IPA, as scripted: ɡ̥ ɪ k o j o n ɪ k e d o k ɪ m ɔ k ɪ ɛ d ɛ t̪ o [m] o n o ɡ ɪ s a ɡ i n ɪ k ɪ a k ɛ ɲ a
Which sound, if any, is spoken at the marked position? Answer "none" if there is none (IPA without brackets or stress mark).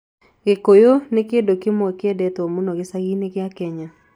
m